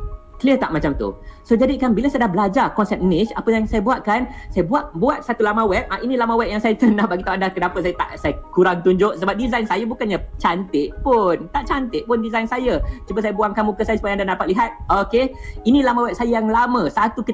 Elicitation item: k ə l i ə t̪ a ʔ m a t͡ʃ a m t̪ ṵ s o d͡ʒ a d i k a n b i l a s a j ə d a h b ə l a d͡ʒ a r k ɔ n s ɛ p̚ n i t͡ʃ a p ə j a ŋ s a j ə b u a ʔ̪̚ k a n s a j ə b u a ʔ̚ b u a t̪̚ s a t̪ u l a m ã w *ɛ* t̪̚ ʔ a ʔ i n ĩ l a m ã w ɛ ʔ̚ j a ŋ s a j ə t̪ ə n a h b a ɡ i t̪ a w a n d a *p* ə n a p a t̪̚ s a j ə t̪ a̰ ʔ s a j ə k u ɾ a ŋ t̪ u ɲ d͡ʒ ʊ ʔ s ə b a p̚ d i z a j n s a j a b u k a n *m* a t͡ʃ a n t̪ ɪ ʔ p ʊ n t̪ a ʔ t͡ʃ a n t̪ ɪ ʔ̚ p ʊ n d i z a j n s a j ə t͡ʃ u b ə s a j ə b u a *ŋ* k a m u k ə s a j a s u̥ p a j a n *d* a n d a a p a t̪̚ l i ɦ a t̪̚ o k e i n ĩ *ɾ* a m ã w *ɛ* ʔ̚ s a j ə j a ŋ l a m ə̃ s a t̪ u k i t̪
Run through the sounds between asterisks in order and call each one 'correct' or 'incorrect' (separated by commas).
correct, incorrect, incorrect, correct, correct, incorrect, correct